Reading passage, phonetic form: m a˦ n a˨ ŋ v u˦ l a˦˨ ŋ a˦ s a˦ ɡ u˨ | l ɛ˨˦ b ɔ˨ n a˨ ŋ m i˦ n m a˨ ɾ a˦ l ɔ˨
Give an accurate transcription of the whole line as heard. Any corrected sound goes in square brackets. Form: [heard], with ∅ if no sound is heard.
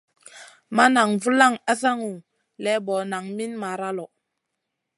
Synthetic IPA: m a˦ n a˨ ŋ v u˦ l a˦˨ ŋ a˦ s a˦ [ŋ] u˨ | l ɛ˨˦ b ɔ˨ n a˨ ŋ m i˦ n m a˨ ɾ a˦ l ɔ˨